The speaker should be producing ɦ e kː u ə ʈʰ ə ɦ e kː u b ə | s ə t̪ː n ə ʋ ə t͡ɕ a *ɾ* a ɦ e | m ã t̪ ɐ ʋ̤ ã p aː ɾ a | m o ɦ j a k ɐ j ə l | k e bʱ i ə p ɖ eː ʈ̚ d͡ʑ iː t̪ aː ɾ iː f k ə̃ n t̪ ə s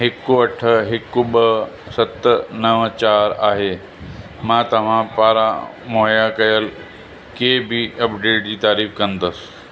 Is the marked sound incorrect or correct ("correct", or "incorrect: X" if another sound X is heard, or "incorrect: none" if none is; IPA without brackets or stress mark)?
correct